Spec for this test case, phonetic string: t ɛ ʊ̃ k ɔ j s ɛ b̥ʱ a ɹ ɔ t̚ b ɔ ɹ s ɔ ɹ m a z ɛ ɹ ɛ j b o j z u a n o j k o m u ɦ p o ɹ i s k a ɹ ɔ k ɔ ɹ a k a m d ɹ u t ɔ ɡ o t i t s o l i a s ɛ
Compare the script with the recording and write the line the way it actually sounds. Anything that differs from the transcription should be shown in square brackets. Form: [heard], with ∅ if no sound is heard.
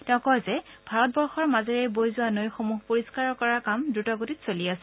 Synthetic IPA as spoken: t ɛ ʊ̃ k ɔ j [z] ɛ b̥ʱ a ɹ ɔ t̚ b ɔ ɹ [x] ɔ ɹ m a z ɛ ɹ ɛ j b o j z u a n o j [x] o m u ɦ p o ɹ i s k a ɹ ɔ k ɔ ɹ a k a m d ɹ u t ɔ ɡ o t i t s o l i a s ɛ